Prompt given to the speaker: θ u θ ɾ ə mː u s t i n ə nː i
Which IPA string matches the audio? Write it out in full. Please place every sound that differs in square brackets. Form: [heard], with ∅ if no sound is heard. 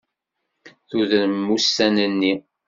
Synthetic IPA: θ u [ð] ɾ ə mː u s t [æ] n ə nː i